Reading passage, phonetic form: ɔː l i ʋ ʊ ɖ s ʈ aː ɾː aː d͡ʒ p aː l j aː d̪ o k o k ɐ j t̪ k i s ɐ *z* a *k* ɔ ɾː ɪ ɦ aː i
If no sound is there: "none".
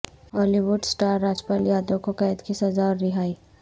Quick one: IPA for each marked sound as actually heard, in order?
z, none

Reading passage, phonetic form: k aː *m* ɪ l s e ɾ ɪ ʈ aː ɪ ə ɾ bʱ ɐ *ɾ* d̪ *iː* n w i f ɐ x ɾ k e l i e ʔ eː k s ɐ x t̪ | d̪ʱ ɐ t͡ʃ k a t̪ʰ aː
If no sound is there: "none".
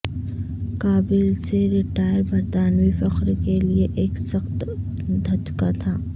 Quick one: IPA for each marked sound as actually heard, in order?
b, ɾ, aː

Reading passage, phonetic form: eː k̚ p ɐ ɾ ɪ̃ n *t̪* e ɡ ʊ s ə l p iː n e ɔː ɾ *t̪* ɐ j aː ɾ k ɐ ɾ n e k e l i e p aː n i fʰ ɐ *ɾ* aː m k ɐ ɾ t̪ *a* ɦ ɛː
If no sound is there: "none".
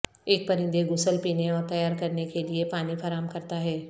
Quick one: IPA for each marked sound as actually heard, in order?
d̪, t̪, ɾ, a

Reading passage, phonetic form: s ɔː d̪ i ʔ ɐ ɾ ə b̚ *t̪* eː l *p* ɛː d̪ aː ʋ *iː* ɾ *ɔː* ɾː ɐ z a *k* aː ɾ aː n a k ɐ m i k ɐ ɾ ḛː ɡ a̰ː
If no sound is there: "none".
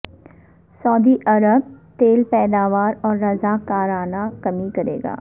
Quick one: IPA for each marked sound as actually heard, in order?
t̪, p, aː, ɔː, k

